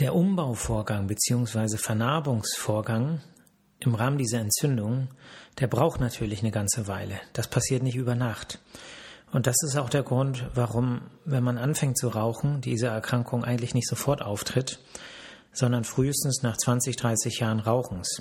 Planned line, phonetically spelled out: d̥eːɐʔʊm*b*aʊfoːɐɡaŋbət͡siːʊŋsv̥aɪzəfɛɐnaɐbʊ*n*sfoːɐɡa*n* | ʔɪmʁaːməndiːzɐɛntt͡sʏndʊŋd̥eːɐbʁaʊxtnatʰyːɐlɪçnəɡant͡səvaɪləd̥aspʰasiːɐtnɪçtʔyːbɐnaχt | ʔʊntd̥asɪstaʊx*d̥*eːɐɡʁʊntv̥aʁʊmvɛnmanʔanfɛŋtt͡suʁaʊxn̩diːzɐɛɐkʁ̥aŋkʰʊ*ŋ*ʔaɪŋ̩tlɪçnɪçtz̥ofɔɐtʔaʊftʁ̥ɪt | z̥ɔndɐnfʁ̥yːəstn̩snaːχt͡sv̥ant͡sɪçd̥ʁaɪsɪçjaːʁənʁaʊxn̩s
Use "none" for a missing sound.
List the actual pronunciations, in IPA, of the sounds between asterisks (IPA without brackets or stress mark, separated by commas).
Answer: b, ŋ, ŋ, d̥, ŋ